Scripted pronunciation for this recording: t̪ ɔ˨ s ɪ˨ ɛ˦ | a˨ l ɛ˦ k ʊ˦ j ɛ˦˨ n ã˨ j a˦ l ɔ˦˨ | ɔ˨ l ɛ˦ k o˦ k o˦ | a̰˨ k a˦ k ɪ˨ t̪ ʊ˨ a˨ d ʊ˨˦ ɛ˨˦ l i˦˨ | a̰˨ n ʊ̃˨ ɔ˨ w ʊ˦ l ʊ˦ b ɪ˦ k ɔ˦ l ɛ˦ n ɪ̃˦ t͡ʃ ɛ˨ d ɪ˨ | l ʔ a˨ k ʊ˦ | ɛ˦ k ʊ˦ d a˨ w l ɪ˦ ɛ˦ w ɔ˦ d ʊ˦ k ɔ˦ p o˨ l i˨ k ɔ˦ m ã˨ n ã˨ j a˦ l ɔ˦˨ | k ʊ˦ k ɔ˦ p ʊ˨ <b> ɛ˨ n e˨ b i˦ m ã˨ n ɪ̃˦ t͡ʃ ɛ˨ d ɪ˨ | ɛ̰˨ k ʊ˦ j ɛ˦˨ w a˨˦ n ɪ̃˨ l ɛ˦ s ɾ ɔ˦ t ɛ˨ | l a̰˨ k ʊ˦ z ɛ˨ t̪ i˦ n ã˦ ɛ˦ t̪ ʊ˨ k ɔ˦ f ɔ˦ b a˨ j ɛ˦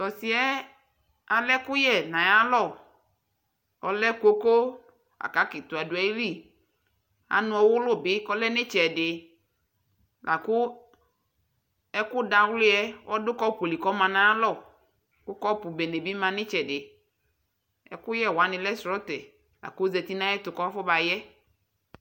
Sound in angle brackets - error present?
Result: no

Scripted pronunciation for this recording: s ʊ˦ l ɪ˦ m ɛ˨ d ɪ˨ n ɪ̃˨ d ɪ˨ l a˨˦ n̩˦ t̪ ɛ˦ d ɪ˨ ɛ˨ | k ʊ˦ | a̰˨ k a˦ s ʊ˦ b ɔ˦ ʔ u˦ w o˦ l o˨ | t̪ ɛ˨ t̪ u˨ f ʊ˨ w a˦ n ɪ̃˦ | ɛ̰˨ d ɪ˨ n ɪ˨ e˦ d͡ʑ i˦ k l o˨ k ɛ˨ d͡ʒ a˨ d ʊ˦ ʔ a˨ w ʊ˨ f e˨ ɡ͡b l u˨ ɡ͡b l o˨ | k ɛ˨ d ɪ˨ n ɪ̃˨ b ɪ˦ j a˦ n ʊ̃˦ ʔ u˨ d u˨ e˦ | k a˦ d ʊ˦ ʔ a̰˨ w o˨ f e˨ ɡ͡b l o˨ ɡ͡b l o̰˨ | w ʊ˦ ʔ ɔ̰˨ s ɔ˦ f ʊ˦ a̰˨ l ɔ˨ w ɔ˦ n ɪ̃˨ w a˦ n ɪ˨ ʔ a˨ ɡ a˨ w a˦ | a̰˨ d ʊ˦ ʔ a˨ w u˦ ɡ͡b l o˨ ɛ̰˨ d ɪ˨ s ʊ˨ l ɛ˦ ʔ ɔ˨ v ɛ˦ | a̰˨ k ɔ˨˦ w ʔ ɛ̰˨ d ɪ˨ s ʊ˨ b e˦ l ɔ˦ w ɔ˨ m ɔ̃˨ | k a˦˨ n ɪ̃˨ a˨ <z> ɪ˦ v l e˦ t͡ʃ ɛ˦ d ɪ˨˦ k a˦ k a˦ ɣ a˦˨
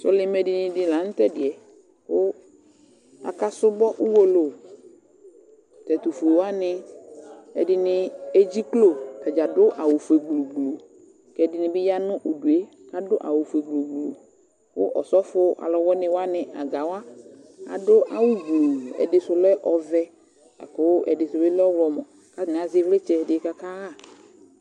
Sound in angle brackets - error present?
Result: no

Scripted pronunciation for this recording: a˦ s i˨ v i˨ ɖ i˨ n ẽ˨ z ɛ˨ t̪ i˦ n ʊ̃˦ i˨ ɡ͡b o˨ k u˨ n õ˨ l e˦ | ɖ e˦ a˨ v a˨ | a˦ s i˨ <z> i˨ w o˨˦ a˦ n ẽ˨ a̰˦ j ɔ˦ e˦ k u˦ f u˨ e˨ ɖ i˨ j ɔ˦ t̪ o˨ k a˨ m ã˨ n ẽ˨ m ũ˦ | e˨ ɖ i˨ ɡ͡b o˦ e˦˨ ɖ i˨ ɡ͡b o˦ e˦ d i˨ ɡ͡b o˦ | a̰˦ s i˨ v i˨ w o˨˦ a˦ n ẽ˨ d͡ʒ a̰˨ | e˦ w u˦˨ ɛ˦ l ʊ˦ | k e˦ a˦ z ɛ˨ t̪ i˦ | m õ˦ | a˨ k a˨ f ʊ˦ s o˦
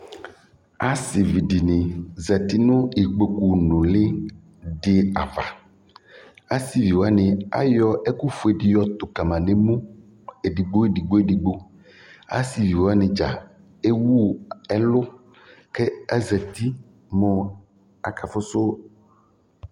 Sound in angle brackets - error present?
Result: yes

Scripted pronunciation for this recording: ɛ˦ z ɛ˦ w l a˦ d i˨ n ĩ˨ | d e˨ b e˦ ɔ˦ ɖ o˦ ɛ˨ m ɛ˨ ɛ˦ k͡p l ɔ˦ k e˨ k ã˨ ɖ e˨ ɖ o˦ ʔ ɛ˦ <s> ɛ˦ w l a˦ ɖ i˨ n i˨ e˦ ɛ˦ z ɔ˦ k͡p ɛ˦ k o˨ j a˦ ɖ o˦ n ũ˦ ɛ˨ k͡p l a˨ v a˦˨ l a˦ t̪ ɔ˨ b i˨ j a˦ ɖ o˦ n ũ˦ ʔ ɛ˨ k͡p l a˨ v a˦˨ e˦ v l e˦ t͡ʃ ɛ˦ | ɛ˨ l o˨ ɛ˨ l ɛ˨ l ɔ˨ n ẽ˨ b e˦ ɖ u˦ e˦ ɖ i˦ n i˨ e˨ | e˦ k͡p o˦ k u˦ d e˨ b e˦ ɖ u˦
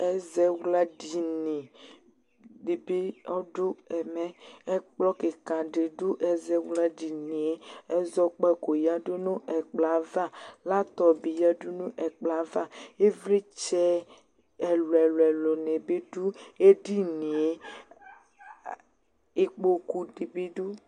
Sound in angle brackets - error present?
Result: yes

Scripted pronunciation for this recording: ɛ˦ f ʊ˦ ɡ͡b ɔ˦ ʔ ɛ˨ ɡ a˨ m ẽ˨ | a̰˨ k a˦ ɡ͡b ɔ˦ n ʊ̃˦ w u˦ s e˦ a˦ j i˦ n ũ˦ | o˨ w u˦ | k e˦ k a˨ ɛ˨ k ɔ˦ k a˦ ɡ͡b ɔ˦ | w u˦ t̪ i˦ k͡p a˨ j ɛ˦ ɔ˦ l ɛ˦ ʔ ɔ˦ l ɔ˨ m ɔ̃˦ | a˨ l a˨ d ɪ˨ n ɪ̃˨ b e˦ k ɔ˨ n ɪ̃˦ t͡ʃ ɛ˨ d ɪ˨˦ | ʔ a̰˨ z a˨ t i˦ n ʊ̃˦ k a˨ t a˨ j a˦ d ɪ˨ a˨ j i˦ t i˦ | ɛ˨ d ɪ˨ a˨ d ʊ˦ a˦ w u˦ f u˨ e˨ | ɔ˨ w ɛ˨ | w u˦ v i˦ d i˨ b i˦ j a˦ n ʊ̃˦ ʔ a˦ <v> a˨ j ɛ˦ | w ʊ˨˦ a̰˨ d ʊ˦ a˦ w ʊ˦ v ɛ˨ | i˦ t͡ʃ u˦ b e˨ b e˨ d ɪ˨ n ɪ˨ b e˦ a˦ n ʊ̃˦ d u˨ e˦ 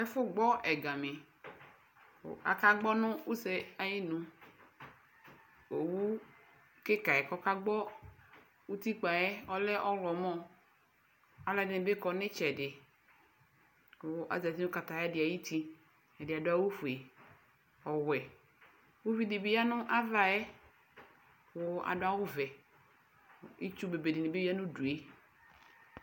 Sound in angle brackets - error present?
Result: no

